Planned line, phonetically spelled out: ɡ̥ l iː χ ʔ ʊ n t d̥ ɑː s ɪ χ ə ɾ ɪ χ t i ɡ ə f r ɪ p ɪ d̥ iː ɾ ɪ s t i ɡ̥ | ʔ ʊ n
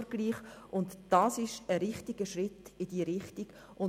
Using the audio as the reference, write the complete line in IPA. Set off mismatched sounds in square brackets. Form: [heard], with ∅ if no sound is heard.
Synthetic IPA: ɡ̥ l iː χ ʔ ʊ n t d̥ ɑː s ɪ [ʃ] ə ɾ ɪ χ t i ɡ ə [ʃ] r ɪ [t] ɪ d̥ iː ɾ ɪ [χ] t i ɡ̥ | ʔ ʊ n